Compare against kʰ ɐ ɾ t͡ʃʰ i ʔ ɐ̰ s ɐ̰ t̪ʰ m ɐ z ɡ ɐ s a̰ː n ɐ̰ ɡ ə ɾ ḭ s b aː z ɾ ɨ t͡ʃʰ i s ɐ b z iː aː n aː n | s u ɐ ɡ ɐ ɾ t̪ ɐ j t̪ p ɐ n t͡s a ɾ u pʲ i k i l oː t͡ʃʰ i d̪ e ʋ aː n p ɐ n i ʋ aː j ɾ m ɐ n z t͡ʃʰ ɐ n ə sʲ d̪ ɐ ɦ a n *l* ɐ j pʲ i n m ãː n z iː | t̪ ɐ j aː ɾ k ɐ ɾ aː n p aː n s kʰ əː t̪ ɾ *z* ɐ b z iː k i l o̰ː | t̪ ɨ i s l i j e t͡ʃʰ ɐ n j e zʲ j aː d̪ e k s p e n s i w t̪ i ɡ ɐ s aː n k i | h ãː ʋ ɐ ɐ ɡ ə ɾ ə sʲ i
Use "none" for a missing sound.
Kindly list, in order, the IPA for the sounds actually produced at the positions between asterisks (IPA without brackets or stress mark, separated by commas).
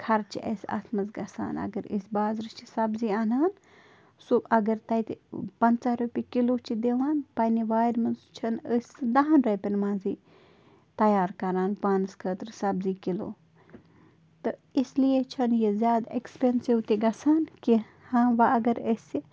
ɾ, s